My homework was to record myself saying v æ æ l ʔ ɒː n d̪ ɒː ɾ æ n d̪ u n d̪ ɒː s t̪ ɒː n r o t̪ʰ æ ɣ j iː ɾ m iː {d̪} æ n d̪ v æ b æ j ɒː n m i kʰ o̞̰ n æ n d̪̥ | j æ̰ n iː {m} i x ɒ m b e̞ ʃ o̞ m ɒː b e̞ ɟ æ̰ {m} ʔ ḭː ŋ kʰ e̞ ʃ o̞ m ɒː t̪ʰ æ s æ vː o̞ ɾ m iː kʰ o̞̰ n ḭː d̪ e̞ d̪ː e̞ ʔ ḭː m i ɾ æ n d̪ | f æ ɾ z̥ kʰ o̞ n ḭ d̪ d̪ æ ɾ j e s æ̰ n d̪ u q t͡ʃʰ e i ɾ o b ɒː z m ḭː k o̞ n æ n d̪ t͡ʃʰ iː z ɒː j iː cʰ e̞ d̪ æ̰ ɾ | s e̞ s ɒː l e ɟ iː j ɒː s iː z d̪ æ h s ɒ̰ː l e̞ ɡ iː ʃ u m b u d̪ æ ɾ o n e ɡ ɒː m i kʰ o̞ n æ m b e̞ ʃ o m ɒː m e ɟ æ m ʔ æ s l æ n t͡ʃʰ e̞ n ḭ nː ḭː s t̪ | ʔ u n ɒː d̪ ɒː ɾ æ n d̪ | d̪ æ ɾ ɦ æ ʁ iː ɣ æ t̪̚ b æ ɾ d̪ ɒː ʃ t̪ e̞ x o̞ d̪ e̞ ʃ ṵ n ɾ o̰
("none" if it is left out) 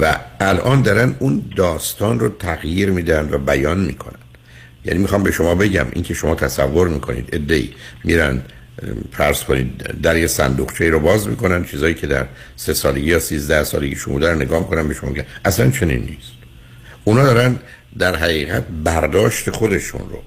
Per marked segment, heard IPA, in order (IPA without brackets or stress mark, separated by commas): d̪, m, m